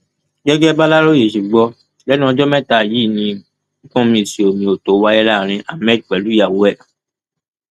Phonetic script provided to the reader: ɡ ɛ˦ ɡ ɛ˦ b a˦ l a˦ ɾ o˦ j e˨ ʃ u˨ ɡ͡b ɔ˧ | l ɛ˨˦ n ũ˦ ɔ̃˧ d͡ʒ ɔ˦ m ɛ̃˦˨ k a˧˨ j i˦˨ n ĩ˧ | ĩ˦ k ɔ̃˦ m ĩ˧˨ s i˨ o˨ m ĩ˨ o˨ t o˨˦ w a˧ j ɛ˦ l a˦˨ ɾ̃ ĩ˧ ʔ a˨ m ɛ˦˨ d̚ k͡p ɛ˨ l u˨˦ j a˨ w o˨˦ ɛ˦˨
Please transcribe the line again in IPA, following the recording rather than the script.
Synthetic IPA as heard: ɡ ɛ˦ ɡ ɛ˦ b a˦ l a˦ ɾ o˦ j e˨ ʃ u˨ ɡ͡b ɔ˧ | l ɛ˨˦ n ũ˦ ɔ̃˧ d͡ʒ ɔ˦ m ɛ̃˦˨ t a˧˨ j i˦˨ n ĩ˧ | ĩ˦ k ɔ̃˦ m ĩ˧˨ s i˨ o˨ m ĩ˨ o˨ t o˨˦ w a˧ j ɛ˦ l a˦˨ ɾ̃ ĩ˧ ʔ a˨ m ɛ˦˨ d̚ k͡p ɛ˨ l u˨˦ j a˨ w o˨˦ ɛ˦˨